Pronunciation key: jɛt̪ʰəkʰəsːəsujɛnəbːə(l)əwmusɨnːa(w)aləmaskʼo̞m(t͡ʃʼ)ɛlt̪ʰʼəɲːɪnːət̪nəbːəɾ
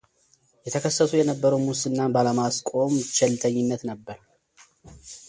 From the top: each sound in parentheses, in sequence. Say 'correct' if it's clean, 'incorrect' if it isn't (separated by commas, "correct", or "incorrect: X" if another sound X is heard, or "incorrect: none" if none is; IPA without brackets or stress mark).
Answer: incorrect: ɾ, incorrect: b, incorrect: t͡ʃ